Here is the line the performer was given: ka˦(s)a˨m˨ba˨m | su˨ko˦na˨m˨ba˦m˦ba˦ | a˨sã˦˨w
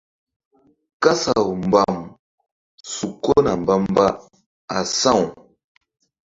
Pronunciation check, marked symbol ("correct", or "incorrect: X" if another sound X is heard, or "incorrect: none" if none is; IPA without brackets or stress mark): correct